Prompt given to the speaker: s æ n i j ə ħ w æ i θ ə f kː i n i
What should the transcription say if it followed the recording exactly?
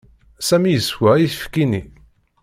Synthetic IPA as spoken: s æ m i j ə s w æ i θ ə f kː i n i